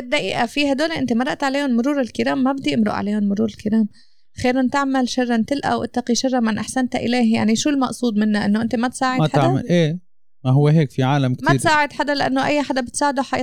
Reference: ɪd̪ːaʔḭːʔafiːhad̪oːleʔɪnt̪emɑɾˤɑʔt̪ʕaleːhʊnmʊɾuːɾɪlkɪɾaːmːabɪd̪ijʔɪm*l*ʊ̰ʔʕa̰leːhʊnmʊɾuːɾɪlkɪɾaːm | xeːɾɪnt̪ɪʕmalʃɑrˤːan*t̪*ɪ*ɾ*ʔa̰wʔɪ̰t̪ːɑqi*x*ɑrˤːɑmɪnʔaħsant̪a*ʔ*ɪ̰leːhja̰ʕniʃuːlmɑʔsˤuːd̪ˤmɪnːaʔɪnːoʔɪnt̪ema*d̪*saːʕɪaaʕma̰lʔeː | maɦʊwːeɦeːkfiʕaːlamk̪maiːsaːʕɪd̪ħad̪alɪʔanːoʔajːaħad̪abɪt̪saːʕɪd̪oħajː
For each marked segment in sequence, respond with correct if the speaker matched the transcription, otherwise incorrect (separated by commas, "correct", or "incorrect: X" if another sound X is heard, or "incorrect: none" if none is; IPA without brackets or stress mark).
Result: incorrect: ɾ, correct, incorrect: l, incorrect: ʃ, correct, incorrect: t̪